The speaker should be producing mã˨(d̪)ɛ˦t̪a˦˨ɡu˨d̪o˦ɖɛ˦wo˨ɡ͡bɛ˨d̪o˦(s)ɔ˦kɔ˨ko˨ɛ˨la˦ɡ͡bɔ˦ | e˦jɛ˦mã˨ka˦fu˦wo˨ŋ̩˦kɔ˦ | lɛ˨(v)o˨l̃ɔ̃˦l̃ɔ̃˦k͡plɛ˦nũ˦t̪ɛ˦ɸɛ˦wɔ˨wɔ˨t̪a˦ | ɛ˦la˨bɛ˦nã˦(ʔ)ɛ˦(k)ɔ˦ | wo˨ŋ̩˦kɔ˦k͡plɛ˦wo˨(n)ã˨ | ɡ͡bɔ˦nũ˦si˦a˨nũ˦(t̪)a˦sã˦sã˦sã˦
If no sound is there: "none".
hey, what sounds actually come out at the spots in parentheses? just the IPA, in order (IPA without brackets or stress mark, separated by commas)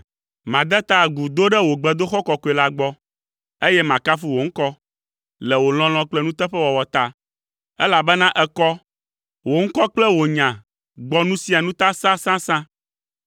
d̪, x, w, ʔ, k, ɲ, t̪